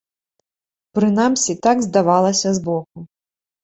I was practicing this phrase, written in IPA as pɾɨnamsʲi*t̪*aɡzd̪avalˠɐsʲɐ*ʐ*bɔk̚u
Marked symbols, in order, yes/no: yes, no

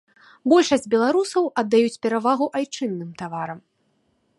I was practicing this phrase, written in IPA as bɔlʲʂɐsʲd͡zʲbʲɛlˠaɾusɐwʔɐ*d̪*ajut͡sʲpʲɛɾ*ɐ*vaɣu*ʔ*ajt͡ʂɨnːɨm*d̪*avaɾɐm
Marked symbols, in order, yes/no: no, no, yes, no

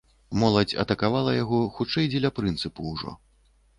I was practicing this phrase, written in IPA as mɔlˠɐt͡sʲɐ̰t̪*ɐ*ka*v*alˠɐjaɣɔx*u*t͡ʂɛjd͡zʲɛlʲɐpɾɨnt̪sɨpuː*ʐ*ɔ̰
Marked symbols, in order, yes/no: yes, yes, yes, yes

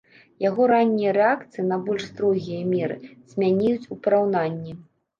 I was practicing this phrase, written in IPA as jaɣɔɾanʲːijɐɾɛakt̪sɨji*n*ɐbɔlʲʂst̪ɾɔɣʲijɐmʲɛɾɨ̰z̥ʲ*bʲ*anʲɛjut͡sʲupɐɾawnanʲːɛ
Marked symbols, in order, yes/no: yes, no

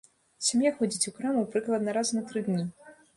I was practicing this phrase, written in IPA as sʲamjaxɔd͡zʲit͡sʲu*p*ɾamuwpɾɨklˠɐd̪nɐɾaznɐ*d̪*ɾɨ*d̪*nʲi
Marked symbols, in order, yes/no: no, no, yes

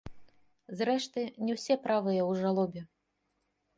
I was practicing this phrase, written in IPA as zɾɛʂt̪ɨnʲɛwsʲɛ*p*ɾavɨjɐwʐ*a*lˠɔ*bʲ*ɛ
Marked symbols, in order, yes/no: yes, yes, yes

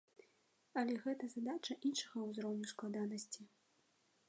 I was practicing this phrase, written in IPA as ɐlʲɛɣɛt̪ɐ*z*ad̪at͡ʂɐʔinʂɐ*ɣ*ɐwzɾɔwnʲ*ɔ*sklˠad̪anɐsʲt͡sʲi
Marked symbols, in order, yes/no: yes, yes, no

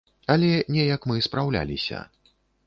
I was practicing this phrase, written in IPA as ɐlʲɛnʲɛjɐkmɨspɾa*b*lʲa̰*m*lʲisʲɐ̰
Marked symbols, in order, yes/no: no, no

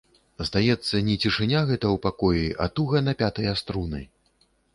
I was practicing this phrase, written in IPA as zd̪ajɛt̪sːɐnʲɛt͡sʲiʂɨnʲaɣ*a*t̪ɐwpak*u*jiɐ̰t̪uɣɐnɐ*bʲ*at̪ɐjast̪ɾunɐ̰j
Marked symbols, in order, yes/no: no, no, no

